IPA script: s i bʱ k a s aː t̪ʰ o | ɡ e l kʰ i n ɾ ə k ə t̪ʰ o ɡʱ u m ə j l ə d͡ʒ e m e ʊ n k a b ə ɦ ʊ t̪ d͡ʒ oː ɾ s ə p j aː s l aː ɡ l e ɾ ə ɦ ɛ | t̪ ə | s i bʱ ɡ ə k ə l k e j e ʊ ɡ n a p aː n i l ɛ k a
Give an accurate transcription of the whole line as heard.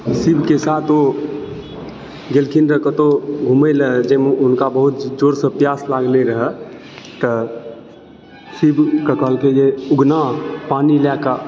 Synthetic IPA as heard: s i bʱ k e s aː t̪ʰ o | ɡ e l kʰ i n ɾ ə k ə t̪ o ɡʱ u m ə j l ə d͡ʒ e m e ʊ n k a b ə ɦ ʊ t̪ d͡ʒ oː ɾ s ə p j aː s l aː ɡ l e ɾ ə ɦ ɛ | t̪ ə | s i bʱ k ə k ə l k e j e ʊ ɡ n a p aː n i l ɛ k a

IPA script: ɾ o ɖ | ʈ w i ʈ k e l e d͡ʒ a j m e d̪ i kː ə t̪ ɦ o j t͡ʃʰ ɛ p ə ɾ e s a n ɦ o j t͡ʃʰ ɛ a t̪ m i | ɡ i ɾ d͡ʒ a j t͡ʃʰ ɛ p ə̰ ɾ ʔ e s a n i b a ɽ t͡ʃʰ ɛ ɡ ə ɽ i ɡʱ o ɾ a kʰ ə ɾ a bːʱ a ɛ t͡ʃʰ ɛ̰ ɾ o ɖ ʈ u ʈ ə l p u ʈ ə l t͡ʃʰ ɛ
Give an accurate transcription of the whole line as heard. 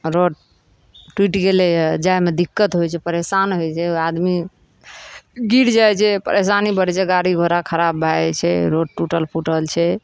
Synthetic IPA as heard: ɾ o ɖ | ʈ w i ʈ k e l e d͡ʒ a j m e d̪ i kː ə t̪ ɦ o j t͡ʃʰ ɛ p ə ɾ e s a n ɦ o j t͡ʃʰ ɛ a d̪ m i | ɡ i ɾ d͡ʒ a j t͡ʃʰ ɛ p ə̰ ɾ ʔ e s a n i b ə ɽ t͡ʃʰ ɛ ɡ a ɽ i ɡʱ o ɾ a kʰ ə ɾ a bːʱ a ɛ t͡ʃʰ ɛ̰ ɾ o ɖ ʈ u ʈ ə l p u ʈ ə l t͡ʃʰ ɛ

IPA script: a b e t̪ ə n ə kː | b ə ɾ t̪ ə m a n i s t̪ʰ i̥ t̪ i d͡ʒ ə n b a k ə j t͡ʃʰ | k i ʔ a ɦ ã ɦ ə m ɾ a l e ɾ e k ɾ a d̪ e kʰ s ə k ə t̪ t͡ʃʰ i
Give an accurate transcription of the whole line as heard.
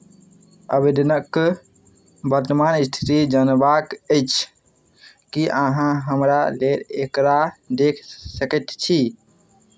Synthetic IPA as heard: ə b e d̪ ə n ə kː | b ə ɾ t̪ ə m a n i s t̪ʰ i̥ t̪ i d͡ʒ ə n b a k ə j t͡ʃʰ | k i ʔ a ɦ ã ɦ ə m ɾ a l e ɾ e k ɾ a d̪ e kʰ s ə k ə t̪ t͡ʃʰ i

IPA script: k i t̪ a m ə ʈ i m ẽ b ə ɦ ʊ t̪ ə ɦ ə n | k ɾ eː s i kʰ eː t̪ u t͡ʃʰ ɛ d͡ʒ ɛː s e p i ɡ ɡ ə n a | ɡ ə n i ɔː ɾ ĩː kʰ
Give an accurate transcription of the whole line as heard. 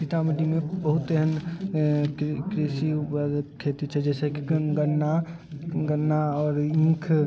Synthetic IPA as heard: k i t̪ a m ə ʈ i m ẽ b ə ɦ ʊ t̪ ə ɦ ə n | k ɾ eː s i kʰ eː t̪ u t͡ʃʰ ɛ d͡ʒ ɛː s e k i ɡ ɡ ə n a | ɡ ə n a ɔː ɾ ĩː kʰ

